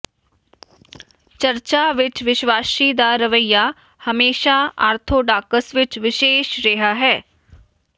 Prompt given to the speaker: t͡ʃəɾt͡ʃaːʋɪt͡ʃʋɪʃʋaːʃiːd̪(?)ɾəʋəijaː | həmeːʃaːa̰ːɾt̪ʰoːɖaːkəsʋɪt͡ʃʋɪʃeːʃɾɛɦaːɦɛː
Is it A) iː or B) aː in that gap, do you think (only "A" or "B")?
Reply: B